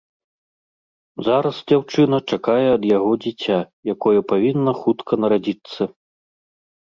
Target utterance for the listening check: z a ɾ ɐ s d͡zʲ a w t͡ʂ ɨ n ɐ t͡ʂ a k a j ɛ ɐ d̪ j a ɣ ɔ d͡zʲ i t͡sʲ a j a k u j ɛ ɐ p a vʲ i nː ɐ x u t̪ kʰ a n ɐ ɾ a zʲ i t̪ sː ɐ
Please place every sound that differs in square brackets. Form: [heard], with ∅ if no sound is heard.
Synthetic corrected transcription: z a ɾ ɐ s d͡zʲ a w t͡ʂ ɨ n ɐ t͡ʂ a k a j ɛ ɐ d̪ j a ɣ ɔ d͡zʲ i t͡sʲ a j a k [ɔ] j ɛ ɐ p a vʲ i nː ɐ x u t̪ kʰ [ɐ] n ɐ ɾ a [d͡zʲ] i t̪ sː ɐ